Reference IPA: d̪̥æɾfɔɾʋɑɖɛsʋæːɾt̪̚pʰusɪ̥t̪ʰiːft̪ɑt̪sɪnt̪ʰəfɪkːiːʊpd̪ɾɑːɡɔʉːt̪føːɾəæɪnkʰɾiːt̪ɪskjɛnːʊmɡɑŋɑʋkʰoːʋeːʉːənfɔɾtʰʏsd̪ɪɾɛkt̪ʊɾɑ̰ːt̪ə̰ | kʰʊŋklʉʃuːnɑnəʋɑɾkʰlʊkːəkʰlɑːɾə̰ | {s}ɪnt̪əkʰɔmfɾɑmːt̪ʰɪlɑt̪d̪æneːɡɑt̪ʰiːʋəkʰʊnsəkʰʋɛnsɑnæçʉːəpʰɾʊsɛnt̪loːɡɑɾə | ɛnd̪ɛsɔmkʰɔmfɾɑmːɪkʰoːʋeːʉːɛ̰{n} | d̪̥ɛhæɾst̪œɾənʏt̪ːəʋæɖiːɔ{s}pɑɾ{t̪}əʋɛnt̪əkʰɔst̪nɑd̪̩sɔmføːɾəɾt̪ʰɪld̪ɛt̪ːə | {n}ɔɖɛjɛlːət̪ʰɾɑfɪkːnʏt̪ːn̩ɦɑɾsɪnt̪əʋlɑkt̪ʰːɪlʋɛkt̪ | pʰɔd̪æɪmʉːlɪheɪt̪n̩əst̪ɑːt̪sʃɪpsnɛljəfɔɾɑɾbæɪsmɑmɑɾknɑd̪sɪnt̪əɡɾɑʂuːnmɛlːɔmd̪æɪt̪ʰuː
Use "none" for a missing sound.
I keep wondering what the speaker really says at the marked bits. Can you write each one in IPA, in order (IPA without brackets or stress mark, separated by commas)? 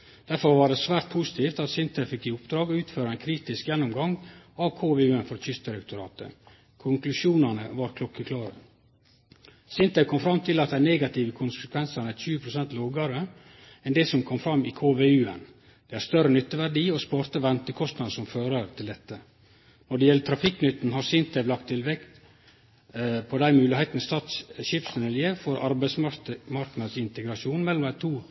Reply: s, n, s, t̪, n